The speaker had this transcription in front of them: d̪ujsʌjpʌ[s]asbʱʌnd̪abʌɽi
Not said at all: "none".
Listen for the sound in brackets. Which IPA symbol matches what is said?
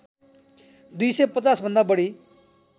t͡s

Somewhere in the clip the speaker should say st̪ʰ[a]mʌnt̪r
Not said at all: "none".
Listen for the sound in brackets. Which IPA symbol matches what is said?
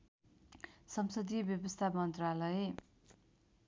a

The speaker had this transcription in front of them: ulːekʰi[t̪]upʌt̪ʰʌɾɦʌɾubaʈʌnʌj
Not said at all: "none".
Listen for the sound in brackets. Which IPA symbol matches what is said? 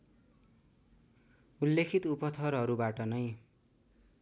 t̪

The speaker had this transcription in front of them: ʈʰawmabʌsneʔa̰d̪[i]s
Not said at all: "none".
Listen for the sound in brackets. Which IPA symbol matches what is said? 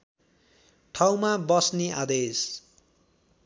e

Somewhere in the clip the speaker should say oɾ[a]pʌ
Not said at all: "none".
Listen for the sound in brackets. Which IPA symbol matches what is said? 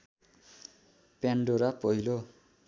a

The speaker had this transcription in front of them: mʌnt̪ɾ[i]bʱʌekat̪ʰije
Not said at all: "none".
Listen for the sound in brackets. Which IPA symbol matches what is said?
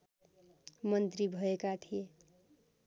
i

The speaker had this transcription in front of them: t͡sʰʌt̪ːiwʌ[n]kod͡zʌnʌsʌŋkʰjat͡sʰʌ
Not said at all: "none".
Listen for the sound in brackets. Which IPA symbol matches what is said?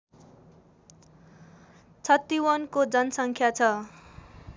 n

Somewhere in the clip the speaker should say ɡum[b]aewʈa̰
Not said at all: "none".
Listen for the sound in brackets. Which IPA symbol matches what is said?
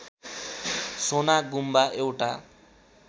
b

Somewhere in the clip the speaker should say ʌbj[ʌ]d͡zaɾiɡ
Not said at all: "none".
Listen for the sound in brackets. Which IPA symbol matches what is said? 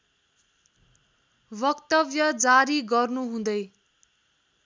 ʌ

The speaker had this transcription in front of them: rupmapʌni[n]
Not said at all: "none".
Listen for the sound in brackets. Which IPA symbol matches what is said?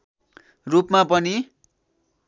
none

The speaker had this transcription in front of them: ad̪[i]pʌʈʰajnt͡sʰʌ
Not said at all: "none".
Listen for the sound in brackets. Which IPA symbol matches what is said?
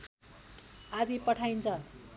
i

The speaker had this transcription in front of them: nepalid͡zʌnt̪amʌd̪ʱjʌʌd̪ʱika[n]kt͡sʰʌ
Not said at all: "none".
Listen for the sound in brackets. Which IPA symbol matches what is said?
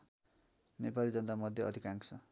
ŋ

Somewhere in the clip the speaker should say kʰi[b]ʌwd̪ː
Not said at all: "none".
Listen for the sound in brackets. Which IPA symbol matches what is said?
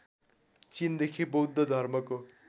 b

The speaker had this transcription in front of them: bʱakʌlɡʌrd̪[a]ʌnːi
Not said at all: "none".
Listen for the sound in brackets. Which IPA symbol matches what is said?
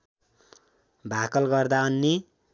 a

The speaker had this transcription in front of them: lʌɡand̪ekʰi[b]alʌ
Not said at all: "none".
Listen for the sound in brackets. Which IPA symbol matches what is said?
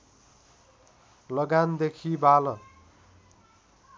b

